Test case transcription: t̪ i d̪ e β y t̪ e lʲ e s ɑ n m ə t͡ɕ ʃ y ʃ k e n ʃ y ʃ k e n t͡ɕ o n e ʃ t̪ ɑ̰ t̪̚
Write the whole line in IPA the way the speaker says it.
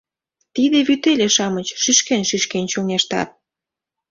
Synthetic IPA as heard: t̪ i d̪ e β y t̪ e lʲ e ʃ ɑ m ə t͡ɕ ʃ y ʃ k e n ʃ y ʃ k e n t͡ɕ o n e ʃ t̪ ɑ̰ t̪̚